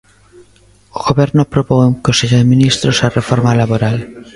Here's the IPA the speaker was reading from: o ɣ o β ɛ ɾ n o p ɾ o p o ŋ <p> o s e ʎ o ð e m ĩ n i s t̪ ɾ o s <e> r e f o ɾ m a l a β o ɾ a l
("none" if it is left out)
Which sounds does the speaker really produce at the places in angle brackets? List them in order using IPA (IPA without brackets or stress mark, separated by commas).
k, a